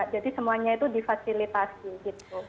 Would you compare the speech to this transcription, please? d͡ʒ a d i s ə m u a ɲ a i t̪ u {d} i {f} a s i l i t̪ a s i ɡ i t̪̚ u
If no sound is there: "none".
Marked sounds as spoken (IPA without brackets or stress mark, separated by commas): d, f